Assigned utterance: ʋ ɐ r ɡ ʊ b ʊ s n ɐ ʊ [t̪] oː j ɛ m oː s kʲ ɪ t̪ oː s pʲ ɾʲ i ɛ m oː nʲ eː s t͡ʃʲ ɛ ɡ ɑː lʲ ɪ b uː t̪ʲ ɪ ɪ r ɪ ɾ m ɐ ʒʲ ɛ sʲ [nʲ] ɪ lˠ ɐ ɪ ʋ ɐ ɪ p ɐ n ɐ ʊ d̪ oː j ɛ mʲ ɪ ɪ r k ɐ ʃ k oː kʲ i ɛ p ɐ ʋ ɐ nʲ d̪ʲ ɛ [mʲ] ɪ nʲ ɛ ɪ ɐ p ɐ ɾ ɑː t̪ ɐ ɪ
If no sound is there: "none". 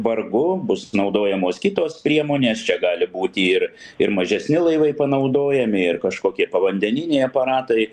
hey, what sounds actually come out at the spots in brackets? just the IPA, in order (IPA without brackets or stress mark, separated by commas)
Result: d̪, nʲ, nʲ